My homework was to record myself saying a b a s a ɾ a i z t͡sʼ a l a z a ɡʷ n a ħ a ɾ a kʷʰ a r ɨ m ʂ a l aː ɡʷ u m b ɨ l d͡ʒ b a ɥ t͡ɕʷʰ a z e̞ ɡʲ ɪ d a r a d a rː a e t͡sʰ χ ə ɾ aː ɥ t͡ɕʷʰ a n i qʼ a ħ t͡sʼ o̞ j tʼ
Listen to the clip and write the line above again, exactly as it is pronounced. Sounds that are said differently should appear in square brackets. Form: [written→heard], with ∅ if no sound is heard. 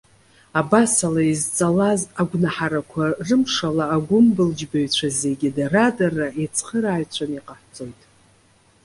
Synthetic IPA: a b a s a [ɾ→l] a i z t͡sʼ a l a z a ɡʷ n a ħ a ɾ a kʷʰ a r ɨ m ʂ a l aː ɡʷ [u→ʊ] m b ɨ l d͡ʒ b a ɥ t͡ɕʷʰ a z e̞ ɡʲ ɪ d a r a d a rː a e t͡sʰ χ ə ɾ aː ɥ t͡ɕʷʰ a n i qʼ a ħ t͡sʼ o̞ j tʼ